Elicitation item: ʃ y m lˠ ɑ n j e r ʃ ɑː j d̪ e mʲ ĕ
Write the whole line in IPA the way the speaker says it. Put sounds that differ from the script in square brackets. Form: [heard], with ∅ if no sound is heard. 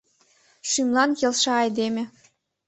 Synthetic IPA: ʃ y m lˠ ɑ n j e [l] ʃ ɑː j d̪ e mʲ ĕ